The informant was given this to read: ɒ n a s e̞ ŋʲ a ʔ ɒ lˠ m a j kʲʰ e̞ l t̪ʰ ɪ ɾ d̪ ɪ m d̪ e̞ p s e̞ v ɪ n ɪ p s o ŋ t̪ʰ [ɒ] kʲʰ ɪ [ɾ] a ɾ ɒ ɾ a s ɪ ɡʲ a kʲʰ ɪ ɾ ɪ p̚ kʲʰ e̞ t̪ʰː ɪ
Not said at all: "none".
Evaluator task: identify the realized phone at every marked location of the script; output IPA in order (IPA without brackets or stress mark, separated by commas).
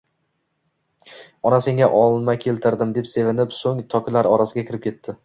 ɒ, l